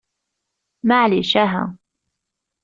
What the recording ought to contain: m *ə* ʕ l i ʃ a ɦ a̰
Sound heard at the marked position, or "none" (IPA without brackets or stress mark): a